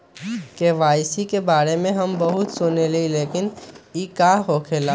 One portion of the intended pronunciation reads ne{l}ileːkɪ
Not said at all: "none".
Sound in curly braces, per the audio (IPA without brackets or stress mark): l